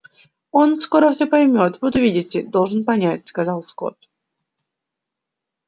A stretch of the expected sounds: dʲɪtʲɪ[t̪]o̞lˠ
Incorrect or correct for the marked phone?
incorrect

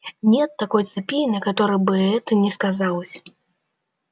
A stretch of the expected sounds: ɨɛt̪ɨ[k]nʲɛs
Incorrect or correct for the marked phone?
incorrect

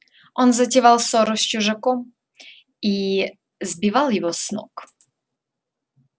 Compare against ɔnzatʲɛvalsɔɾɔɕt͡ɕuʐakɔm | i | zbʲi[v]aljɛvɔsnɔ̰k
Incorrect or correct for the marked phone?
correct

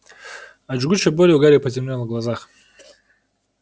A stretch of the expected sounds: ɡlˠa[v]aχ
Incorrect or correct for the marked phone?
incorrect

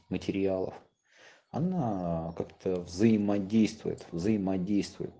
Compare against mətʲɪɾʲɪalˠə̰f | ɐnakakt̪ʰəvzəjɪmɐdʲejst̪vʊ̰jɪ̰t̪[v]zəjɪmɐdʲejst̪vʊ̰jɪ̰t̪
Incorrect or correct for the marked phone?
correct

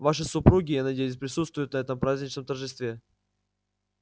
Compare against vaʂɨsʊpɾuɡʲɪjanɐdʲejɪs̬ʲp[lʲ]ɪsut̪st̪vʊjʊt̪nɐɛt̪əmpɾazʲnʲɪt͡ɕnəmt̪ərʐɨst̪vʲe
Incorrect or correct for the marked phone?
incorrect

